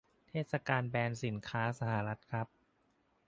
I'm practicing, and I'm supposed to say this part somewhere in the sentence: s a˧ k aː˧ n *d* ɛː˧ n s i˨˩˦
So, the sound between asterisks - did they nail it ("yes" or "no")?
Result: no